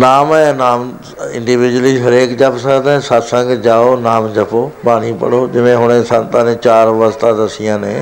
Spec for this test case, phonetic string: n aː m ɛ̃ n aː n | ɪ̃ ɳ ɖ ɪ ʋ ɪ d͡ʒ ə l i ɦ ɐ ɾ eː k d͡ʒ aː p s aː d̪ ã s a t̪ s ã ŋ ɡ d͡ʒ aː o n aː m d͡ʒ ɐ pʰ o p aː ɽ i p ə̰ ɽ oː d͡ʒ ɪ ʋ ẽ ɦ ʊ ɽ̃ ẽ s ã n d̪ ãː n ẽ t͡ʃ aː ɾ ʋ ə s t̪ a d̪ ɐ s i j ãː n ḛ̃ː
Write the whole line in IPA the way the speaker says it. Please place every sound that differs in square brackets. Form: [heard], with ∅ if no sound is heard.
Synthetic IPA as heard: n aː m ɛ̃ n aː [m] | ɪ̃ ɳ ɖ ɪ ʋ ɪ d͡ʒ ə l i ɦ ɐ ɾ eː k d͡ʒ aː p s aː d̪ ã s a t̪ s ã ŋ ɡ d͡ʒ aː o n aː m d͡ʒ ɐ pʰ o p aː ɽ i p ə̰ ɽ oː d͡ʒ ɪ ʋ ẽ ɦ ʊ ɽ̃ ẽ s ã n [t̪] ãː n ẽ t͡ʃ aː ɾ ʋ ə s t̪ a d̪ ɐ s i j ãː n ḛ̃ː